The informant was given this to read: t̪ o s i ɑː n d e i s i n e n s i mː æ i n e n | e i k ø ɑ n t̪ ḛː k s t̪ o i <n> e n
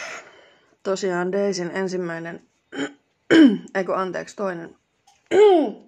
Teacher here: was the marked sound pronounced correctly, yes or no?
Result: yes